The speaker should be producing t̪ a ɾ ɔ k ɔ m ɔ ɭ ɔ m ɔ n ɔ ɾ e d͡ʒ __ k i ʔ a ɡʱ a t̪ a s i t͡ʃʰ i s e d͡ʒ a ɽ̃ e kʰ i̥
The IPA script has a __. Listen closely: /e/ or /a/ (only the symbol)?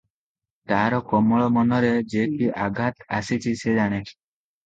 e